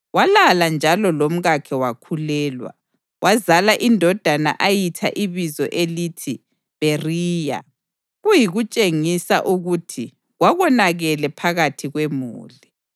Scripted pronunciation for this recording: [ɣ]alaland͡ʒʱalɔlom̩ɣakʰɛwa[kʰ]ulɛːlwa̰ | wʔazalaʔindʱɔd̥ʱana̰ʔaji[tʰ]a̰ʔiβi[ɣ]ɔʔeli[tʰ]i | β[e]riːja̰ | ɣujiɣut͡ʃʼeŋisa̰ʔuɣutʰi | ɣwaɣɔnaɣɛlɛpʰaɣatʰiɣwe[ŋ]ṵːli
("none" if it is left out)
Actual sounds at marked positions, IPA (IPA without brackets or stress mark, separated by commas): w, kʰ, tʰ, z, tʰ, e, m